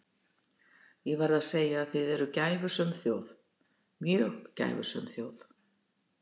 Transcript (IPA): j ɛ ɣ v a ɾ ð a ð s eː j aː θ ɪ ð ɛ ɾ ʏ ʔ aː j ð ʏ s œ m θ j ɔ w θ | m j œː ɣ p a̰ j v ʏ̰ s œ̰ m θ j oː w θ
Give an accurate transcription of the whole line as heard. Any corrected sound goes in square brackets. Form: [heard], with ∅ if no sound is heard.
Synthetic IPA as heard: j ɛ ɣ v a ɾ ð a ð s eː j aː θ ɪ ð ɛ ɾ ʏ [c] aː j [v] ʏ s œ m θ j [o] w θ | m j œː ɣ [c] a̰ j v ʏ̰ s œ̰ m θ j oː w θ